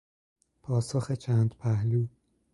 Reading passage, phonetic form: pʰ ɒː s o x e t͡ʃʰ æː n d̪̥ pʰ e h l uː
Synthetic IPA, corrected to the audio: pʰ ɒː s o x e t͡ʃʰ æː n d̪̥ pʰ æ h l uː

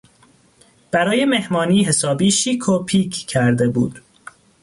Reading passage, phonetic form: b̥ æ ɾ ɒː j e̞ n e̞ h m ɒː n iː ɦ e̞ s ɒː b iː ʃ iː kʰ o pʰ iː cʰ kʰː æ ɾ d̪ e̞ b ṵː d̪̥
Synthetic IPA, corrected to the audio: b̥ æ ɾ ɒː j e̞ m e̞ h m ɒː n iː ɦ e̞ s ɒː b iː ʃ iː kʰ o pʰ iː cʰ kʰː æ ɾ d̪ e̞ b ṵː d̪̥

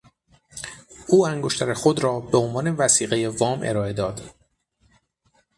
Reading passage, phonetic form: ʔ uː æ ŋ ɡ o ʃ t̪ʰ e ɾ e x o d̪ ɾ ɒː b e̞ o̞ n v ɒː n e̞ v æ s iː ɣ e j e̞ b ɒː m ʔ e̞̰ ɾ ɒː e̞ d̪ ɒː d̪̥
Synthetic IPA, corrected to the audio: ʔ uː æ ŋ ɡ o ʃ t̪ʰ æ ɾ e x o d̪ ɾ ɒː b e̞ o̞ n v ɒː n e̞ v æ s iː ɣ e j e̞ v ɒː m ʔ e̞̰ ɾ ɒː e̞ d̪ ɒː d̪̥

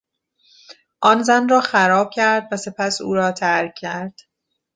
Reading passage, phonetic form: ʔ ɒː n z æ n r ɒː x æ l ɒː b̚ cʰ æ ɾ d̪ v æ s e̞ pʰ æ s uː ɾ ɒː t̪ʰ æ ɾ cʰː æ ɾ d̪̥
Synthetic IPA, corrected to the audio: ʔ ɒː n z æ n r ɒː x æ ɾ ɒː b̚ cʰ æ ɾ d̪ v æ s e̞ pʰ æ s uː ɾ ɒː t̪ʰ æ ɾ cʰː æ ɾ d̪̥

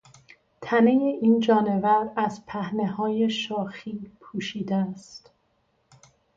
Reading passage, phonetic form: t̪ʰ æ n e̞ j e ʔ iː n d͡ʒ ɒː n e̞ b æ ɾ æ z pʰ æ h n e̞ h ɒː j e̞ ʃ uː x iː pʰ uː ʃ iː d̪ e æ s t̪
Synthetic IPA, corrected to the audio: t̪ʰ æ n e̞ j e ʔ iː n d͡ʒ ɒː n e̞ v æ ɾ æ z pʰ æ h n e̞ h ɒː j e̞ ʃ ɒː x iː pʰ uː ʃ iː d̪ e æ s t̪

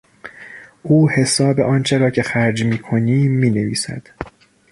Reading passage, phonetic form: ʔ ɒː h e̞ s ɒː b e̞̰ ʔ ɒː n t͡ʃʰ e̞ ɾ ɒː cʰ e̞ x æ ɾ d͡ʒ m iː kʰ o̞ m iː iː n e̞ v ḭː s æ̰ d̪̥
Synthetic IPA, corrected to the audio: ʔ uː h e̞ s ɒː b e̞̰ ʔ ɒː n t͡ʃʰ e̞ ɾ ɒː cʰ e̞ x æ ɾ d͡ʒ m iː kʰ o̞ n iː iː n e̞ v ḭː s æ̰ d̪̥

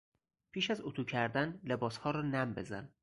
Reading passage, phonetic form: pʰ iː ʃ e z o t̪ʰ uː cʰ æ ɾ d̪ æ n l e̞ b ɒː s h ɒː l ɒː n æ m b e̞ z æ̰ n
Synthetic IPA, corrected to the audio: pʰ iː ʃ æ z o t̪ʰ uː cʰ æ ɾ d̪ æ n l e̞ b ɒː s h ɒː ɾ ɒː n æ m b e̞ z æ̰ n

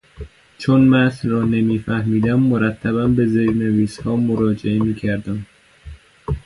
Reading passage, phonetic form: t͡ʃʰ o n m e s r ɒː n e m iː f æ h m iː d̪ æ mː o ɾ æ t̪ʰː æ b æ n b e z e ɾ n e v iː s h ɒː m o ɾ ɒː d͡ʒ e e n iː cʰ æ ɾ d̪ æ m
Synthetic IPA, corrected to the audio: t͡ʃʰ o n m æ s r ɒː n e m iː f æ h m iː d̪ æ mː o ɾ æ t̪ʰː æ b æ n b e z e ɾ n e v iː s h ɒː m o ɾ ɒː d͡ʒ e e m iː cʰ æ ɾ d̪ æ m

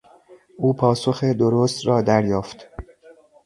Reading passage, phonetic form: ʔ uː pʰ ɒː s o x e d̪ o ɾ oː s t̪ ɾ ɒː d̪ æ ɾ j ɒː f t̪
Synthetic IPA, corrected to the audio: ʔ uː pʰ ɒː s o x e d̪ o ɾ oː s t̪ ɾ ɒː d̪ æ ɾ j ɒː f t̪

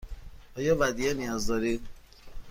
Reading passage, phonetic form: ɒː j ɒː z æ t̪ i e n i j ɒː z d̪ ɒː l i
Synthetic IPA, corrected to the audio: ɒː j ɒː v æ d̪ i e n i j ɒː z d̪ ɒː ɾ i

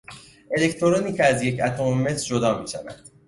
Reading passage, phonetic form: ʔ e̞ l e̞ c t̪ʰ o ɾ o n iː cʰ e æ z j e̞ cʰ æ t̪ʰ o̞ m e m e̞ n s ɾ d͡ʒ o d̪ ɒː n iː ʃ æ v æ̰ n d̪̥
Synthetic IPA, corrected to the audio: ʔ e̞ l e̞ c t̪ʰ o ɾ o n iː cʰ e æ z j e̞ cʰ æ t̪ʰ o̞ m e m e̞ s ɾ d͡ʒ o d̪ ɒː m iː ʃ æ v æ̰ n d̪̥

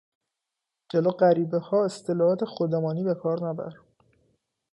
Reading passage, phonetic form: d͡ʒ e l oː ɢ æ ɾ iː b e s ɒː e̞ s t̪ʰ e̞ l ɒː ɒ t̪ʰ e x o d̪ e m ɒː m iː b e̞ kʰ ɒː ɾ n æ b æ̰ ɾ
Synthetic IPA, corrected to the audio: d͡ʒ e l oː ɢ æ ɾ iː b e h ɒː e̞ s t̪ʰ e̞ l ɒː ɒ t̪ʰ e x o d̪ e m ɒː n iː b e̞ kʰ ɒː ɾ n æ b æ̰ ɾ

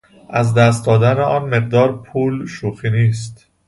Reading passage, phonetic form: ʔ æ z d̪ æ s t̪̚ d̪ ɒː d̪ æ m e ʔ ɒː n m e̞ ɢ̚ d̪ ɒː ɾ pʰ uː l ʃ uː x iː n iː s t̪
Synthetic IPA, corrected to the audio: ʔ æ z d̪ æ s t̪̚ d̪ ɒː d̪ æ n e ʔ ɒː n m e̞ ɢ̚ d̪ ɒː ɾ pʰ uː l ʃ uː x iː n iː s t̪

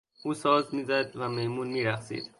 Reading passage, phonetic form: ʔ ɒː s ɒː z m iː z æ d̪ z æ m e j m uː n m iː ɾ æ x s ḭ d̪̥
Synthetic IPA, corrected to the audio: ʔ uː s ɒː z m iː z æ d̪ v æ m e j m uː n m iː ɾ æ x s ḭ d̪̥

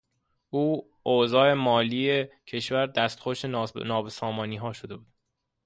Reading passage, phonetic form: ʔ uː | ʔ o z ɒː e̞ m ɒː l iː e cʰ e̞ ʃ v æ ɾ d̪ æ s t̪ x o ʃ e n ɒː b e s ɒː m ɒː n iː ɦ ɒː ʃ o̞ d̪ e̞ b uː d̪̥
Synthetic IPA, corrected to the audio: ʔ uː | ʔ o z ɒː e̞ m ɒː l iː e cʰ e̞ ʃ v æ ɾ d̪ æ s t̪ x o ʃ e n ɒː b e s ɒː m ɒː n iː ɦ ɒː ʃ o̞ d̪ e̞ b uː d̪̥

